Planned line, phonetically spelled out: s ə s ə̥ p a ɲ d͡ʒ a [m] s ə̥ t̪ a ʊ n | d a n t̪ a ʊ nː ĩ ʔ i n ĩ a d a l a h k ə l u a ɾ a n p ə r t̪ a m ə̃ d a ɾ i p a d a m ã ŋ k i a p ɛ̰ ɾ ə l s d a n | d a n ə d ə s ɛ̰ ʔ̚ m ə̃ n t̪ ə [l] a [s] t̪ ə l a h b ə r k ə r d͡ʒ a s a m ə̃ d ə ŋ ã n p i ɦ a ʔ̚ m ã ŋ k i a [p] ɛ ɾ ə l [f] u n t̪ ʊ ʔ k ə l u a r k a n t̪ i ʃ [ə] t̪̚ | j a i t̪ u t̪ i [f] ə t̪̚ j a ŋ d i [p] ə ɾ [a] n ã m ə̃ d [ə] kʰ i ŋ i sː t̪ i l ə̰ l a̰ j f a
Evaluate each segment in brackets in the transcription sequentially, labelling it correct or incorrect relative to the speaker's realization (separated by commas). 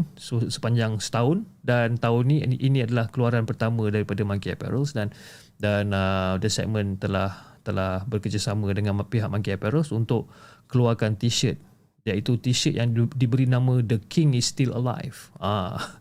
incorrect, correct, incorrect, correct, incorrect, correct, incorrect, incorrect, incorrect, correct